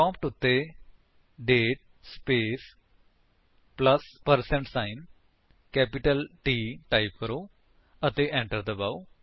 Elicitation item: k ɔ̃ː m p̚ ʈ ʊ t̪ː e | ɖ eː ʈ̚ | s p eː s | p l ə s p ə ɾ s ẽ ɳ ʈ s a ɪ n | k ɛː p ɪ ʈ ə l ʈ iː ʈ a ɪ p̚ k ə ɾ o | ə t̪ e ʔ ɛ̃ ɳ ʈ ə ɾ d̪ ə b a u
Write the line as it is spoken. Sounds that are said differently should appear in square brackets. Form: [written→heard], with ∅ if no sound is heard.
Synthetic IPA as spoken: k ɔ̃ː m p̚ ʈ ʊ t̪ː e | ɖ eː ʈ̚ | s p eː s | p l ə s p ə ɾ s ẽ ɳ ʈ s a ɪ n | k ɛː p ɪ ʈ ə l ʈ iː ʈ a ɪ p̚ k ə ɾ o | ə t̪ e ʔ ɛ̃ ɳ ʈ ə ɾ d̪ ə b a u